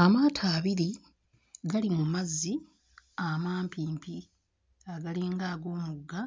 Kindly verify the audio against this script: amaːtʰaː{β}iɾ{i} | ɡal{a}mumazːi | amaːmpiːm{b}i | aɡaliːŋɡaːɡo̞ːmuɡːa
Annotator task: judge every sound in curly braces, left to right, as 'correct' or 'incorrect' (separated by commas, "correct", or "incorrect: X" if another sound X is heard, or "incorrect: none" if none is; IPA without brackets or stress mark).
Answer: correct, correct, incorrect: i, incorrect: p